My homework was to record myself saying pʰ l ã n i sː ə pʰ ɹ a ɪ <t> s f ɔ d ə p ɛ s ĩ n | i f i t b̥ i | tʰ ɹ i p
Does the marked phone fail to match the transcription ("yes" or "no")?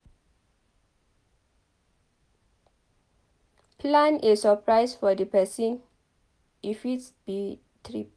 yes